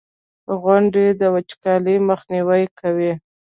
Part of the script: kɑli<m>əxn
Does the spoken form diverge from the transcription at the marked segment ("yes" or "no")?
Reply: no